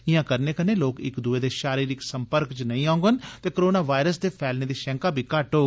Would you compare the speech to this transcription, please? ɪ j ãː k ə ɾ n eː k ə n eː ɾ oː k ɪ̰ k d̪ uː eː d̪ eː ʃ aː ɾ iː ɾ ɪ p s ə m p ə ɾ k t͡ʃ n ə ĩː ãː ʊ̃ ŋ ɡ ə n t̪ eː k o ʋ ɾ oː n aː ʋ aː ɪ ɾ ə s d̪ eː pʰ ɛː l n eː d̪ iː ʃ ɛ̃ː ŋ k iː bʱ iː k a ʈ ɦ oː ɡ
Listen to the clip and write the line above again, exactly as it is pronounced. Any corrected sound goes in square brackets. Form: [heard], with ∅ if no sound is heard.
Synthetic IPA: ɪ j ãː k ə ɾ n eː k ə n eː [l] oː k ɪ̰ k d̪ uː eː d̪ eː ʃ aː ɾ iː ɾ ɪ [k] s ə m p ə ɾ k t͡ʃ n ə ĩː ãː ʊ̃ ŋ ɡ ə n t̪ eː k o [∅] ɾ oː n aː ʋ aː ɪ ɾ ə s d̪ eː pʰ ɛː l n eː d̪ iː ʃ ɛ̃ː ŋ k [aː] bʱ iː k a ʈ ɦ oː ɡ